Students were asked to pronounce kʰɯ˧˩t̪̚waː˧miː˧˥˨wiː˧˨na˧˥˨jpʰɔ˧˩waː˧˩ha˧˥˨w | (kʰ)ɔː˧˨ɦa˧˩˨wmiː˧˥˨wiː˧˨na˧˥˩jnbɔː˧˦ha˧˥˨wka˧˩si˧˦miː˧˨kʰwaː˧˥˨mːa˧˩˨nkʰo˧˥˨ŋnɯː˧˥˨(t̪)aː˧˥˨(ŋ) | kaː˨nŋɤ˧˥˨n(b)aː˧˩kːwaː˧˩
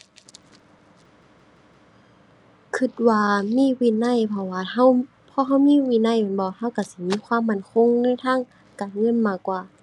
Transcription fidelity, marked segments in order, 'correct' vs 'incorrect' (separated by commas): incorrect, incorrect, correct, incorrect